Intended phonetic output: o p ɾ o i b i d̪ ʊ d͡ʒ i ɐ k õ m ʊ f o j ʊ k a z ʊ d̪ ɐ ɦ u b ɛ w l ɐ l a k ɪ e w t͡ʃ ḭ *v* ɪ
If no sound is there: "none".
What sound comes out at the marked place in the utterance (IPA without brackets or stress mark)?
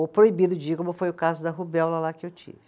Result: v